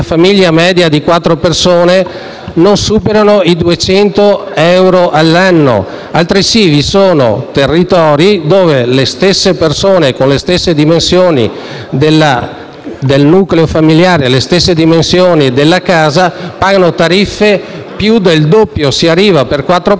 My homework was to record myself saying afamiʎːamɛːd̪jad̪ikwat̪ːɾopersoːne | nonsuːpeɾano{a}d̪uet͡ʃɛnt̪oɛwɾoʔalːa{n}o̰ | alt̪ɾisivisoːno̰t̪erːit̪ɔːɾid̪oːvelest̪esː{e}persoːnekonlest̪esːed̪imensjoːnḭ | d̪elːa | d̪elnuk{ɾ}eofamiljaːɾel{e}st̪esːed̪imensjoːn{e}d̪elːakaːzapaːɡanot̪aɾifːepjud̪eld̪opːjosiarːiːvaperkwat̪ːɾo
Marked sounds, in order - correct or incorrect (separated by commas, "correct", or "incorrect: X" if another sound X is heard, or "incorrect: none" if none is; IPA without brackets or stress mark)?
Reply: incorrect: i, incorrect: nː, correct, incorrect: l, correct, incorrect: i